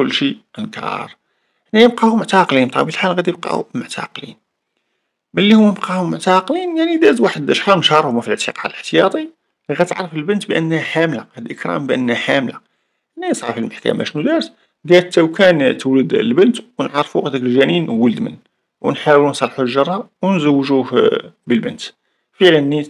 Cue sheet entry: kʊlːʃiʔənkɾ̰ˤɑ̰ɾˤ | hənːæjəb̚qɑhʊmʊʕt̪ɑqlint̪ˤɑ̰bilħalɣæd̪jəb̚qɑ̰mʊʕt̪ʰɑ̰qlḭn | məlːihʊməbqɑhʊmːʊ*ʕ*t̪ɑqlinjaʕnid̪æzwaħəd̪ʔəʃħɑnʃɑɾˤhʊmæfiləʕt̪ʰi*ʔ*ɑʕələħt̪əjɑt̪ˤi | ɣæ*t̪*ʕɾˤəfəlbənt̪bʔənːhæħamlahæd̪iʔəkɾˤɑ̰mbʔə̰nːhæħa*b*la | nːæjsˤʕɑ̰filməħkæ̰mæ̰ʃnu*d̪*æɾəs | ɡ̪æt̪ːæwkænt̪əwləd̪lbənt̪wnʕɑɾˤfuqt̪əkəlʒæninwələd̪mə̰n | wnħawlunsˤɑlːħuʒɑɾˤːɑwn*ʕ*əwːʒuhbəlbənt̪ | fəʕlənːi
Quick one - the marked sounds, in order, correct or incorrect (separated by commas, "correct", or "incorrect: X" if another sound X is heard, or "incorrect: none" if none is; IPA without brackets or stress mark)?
correct, incorrect: q, correct, incorrect: m, correct, incorrect: z